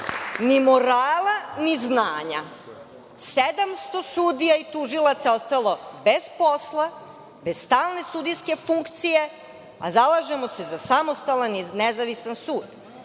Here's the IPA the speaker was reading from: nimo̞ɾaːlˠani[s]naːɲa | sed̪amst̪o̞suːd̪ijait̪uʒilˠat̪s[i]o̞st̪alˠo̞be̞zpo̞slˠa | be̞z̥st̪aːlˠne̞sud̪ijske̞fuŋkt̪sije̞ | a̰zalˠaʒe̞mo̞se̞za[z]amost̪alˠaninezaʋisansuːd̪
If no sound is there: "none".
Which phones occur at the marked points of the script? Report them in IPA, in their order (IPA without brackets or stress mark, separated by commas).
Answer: z, a, s